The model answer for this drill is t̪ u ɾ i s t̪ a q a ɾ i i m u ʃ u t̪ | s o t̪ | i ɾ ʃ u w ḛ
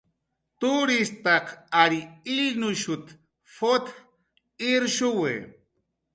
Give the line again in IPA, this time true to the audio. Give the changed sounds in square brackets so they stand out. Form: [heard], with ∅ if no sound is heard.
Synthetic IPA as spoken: t̪ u ɾ i s t̪ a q a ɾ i i [n] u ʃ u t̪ | [f] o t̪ | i ɾ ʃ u w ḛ

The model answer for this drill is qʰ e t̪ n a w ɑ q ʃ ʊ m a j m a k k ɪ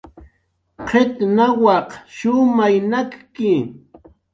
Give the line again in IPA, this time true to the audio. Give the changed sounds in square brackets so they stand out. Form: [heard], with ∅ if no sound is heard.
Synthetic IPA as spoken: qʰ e t̪ n a w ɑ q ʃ ʊ m a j [n] a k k ɪ

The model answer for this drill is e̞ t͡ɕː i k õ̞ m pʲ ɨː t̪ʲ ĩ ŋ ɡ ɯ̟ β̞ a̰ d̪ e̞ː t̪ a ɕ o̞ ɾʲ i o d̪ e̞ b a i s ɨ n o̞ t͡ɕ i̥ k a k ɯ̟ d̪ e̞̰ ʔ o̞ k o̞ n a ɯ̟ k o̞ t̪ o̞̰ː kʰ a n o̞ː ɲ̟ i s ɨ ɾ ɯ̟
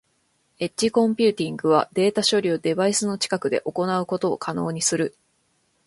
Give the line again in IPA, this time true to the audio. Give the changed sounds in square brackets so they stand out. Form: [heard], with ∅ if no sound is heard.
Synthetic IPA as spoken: e̞ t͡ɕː i k õ̞ m pʲ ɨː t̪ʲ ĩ ŋ ɡ ɯ̟ β̞ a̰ d̪ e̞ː t̪ a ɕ o̞ ɾʲ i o d̪ e̞ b a i s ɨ n o̞ t͡ɕ i̥ k a k ɯ̟ d̪ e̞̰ ʔ o̞ k o̞ n a ɯ̟ k o̞ t̪ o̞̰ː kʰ a n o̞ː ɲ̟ i s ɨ ɾ ɯ̟

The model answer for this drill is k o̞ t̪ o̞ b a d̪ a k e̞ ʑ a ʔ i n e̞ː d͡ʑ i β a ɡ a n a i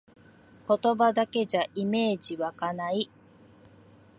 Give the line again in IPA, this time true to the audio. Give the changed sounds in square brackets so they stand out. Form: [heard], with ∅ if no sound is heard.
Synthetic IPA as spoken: k o̞ t̪ o̞ b a d̪ a k e̞ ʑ a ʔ i [m] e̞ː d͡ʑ i β a [k] a n a i

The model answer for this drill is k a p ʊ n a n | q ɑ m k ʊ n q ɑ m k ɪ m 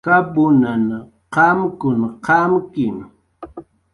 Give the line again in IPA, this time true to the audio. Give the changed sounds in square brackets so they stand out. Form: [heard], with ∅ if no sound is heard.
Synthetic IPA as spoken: k a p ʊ n a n | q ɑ m k ʊ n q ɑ m k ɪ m

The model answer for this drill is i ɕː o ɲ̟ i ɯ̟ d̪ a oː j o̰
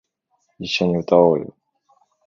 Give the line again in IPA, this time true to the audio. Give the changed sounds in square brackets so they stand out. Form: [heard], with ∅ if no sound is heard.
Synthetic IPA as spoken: i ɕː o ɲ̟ i ɯ̟ [t̪] a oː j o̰

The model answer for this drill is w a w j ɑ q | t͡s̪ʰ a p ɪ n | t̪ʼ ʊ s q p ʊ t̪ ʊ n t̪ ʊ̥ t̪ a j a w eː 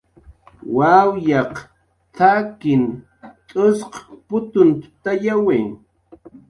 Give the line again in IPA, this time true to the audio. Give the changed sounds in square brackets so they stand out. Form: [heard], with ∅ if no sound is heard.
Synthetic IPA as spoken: w a w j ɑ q | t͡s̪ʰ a [k] ɪ n | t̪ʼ ʊ s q p ʊ t̪ ʊ n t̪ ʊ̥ t̪ a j a w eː

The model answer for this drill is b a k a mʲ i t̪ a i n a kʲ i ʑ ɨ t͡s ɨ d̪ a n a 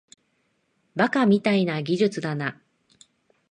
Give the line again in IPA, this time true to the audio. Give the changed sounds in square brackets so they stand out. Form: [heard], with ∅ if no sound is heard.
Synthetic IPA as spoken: b a k a mʲ i t̪ a i n a [ɡʲ] i ʑ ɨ t͡s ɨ d̪ a n a

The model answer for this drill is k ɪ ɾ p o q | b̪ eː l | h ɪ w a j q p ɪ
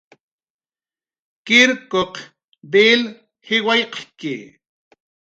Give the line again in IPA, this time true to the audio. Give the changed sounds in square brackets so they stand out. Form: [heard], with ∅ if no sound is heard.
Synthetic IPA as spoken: k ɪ ɾ [k] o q | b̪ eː l | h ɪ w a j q [k] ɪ

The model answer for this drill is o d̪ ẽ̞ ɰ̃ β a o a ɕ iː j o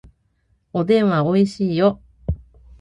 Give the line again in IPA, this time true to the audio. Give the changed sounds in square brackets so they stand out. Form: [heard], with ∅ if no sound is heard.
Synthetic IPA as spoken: o d̪ ẽ̞ ɰ̃ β a o [i] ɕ iː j o

